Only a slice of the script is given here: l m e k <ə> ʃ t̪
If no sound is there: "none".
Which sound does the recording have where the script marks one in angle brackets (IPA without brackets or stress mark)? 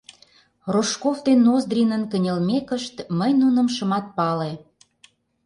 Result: ə